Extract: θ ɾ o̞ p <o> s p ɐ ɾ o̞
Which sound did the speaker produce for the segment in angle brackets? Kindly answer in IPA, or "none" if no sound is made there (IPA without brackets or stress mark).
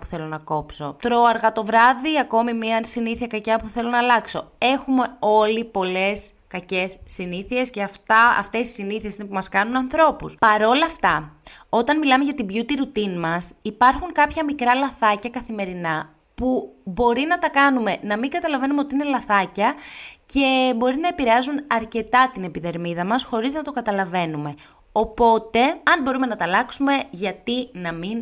u